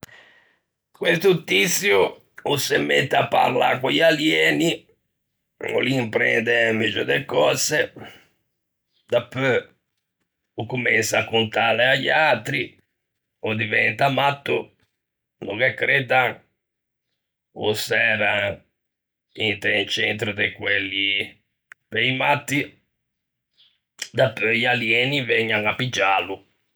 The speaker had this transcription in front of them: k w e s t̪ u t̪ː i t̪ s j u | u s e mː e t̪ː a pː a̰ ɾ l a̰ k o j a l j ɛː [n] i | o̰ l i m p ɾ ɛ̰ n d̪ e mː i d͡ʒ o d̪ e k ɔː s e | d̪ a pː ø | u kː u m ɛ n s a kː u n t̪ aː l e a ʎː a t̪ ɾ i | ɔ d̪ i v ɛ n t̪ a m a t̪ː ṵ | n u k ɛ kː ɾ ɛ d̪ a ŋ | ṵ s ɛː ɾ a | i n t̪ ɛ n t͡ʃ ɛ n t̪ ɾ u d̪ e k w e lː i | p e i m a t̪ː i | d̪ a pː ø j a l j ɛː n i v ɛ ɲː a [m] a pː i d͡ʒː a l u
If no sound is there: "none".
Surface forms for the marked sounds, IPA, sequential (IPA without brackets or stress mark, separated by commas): n, ŋ